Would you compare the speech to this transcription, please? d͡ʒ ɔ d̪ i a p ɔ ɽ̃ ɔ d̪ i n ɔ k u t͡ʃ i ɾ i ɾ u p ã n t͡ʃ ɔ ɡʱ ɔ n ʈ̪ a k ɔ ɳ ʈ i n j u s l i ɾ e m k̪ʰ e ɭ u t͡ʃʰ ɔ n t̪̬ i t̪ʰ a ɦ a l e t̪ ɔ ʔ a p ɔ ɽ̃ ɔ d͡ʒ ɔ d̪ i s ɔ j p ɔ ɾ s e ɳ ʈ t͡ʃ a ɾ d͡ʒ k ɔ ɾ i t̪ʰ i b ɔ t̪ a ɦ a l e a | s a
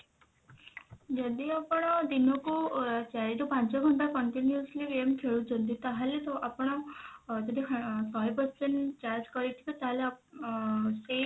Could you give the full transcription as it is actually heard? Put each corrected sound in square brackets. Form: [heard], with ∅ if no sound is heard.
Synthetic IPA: d͡ʒ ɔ d̪ i a p ɔ ɽ̃ ɔ d̪ i n ɔ k u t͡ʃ [a] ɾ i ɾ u p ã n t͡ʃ ɔ ɡʱ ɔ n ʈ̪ a k ɔ ɳ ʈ i n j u s l i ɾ e m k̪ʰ e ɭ u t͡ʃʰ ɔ n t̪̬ i [t̪] a ɦ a l e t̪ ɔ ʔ a p ɔ ɽ̃ ɔ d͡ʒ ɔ d̪ i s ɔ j p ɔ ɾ s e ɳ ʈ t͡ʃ a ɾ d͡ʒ k ɔ ɾ i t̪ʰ i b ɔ t̪ a ɦ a l e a | s [e]